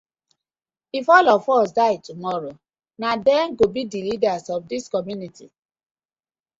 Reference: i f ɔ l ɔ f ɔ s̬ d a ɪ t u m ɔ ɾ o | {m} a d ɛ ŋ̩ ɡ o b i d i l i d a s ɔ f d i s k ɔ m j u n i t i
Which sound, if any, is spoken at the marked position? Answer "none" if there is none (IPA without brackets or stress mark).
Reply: n